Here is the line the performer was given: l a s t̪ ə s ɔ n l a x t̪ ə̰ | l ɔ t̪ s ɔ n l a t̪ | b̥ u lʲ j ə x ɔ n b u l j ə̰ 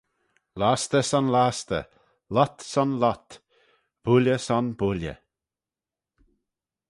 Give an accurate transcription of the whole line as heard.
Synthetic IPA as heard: l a s t̪ ə s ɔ n l a s t̪ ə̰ | l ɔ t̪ s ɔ n l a t̪ | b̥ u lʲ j ə s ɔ n b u l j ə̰